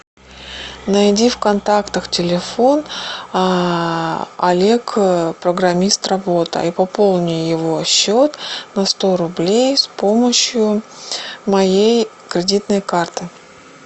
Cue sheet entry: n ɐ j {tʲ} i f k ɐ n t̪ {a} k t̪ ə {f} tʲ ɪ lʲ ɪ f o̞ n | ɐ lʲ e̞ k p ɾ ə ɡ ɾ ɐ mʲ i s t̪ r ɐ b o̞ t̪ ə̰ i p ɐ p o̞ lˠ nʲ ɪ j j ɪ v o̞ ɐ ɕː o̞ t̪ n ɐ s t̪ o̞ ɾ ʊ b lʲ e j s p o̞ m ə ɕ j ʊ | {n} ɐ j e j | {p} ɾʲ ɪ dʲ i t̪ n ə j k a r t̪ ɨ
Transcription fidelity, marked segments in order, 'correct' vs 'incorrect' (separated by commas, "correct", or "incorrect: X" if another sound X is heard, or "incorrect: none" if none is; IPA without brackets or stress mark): incorrect: dʲ, correct, incorrect: x, incorrect: m, incorrect: k